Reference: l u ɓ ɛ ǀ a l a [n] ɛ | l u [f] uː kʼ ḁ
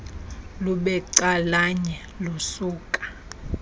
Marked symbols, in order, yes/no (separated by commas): no, no